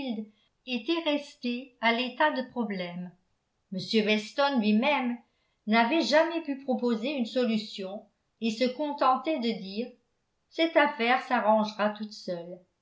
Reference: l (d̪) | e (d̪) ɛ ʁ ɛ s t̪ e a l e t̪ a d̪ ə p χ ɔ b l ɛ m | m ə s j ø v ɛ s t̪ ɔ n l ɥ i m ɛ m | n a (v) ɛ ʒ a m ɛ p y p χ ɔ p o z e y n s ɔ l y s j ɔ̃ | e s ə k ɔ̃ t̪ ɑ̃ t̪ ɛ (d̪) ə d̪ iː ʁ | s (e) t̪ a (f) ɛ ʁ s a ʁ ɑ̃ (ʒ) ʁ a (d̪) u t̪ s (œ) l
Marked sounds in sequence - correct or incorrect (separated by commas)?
correct, incorrect, correct, correct, incorrect, correct, correct, incorrect, correct